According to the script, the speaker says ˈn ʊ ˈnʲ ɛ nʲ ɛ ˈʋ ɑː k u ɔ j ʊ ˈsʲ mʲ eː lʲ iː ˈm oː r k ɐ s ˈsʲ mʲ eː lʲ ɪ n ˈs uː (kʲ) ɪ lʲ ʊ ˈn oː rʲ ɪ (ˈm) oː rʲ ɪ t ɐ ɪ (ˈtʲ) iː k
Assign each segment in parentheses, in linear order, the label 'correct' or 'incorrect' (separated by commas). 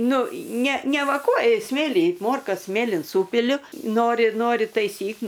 incorrect, incorrect, incorrect